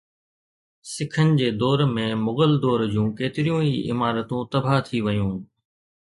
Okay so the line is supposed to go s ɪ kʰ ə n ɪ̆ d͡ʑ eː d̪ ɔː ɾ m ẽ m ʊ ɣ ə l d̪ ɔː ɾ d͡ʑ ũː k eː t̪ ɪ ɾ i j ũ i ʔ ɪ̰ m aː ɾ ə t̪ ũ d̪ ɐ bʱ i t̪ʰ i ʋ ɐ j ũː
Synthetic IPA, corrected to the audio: s ɪ kʰ ə n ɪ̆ d͡ʑ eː d̪ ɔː ɾ m ẽ m ʊ ɣ ə l d̪ ɔː ɾ d͡ʑ ũː k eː t̪ ɪ ɾ i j ũ i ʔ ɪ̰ m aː ɾ ə t̪ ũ t̪ ɐ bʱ a t̪ʰ i ʋ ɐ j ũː